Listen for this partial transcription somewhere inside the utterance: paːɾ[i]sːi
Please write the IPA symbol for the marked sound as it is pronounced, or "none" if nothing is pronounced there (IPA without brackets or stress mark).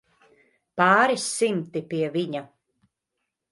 i